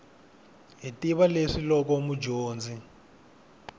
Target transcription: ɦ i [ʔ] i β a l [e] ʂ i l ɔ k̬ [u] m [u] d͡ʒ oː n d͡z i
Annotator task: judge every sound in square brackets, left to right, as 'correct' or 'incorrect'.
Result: incorrect, correct, incorrect, correct

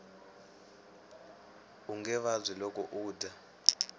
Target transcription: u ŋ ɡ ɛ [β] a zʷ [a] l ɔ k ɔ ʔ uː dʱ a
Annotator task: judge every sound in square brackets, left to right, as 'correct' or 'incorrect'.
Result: correct, incorrect

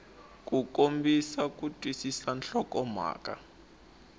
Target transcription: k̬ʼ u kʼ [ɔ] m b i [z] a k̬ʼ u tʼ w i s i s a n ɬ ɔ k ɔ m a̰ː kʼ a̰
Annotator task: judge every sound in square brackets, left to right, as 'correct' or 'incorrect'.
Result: incorrect, incorrect

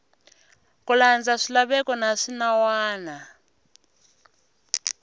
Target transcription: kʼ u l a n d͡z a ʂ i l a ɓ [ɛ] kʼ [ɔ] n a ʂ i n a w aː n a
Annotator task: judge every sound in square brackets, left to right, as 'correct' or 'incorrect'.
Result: correct, correct

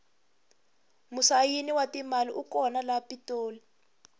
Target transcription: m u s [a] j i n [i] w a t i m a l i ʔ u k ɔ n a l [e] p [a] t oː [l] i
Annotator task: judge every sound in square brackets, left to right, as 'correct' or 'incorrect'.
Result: correct, correct, incorrect, incorrect, correct

